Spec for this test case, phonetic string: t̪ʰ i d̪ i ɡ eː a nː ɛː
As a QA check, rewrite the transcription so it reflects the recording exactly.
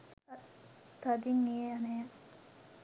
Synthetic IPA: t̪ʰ a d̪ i ŋ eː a n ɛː

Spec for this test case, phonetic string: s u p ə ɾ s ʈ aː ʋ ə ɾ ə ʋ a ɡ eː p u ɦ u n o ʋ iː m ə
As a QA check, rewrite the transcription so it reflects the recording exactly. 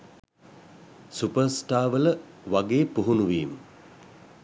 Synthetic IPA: s u p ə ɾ s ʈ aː ʋ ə l ə ʋ a ɡ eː p u ɦ u n u ʋ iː m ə

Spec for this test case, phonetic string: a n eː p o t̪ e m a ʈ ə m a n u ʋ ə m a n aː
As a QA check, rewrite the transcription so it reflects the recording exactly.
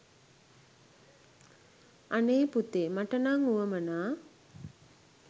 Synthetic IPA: a n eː p u t̪ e m a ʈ ə n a ŋ u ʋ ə m ə n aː

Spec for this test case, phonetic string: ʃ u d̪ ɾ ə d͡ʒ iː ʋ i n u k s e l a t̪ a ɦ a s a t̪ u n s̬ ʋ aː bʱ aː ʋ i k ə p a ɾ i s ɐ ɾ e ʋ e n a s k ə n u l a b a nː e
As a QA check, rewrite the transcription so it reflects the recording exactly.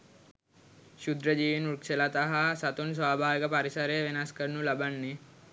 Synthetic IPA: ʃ u d̪ ɾ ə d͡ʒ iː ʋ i n u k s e l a t̪ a ɦ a s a t̪ u n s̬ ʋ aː bʱ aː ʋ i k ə p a ɾ i s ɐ ɾ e ʋ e n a s k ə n u l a b a nː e

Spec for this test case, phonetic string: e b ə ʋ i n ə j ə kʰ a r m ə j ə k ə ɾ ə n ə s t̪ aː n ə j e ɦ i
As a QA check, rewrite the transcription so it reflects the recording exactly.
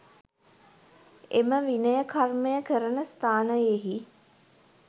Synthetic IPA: e m ə ʋ i n ə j ə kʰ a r m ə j ə k ə ɾ ə n ə s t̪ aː n ə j e ɦ i

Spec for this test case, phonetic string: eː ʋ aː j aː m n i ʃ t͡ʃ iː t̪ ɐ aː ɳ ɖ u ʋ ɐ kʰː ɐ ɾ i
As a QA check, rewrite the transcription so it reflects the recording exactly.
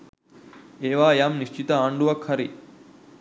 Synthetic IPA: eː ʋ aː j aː m n i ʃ t͡ʃ i t̪ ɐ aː ɳ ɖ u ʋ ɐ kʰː ɐ ɾ i

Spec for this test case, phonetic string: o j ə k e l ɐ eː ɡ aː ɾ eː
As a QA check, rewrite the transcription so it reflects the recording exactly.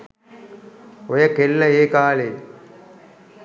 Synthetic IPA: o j ɐ k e lː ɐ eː k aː l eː

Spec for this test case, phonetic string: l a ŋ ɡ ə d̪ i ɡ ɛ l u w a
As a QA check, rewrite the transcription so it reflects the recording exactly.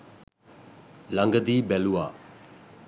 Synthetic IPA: l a ŋ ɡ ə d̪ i b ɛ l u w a

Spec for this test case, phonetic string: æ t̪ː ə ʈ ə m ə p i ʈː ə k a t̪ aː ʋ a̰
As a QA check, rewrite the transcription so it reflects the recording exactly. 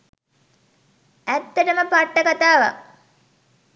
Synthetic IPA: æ t̪ː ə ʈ ə m ə p a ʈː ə k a t̪ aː ʋ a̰

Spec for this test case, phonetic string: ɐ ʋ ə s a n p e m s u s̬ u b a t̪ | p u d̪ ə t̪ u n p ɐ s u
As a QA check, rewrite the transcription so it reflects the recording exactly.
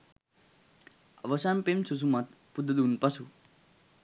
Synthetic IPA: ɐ ʋ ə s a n p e m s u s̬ u m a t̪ | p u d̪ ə d̪ u n p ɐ s u

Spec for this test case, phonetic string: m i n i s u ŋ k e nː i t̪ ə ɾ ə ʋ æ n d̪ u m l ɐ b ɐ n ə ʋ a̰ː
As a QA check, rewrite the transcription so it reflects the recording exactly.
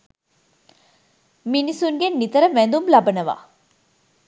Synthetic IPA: m i n i s u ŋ ɡ e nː i t̪ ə ɾ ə ʋ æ n d̪ u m l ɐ b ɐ n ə ʋ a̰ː

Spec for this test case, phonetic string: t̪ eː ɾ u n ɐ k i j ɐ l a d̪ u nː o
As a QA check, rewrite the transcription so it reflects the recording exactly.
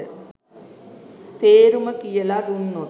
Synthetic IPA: t̪ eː ɾ u m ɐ k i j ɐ l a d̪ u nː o

